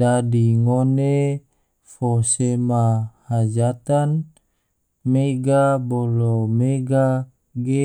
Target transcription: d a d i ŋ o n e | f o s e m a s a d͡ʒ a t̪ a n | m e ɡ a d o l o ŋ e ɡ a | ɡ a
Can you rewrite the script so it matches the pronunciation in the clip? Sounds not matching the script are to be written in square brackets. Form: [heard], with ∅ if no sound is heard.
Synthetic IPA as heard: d a d i ŋ o n e | f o s e m a [h] a d͡ʒ a t̪ a n | m e ɡ a [b] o l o [m] e ɡ a | ɡ [e]